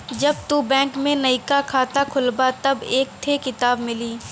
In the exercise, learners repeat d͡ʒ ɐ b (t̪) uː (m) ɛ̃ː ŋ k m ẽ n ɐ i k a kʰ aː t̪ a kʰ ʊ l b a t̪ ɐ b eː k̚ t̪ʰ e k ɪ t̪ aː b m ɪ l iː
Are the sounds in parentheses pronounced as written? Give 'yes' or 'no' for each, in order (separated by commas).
yes, no